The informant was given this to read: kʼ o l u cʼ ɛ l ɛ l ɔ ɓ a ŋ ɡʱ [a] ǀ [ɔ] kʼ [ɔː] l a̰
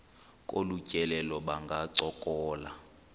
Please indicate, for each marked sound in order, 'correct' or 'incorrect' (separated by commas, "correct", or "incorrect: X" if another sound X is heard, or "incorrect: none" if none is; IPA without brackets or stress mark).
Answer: correct, correct, correct